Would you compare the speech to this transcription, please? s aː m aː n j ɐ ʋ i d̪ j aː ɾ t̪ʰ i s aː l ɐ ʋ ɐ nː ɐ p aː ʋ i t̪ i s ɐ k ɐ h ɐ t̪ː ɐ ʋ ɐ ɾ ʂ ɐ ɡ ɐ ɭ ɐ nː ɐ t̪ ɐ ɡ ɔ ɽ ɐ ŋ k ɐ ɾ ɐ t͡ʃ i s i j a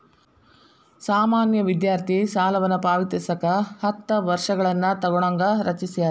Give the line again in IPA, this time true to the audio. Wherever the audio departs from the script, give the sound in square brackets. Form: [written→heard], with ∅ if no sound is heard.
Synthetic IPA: s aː m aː n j ɐ ʋ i d̪ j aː ɾ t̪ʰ i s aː l ɐ ʋ ɐ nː ɐ p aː ʋ i t̪ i s ɐ k ɐ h ɐ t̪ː ɐ ʋ ɐ ɾ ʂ ɐ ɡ ɐ ɭ ɐ nː ɐ t̪ ɐ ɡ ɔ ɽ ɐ ŋ [k→ɡ] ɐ ɾ ɐ t͡ʃ i s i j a